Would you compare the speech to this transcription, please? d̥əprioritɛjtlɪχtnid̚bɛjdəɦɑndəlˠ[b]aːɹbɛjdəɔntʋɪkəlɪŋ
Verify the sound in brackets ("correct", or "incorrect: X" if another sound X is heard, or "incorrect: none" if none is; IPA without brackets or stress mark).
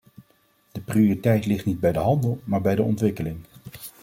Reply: incorrect: m